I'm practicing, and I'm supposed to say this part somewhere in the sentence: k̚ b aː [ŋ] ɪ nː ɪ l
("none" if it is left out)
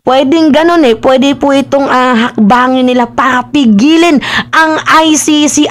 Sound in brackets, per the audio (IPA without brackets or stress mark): ŋ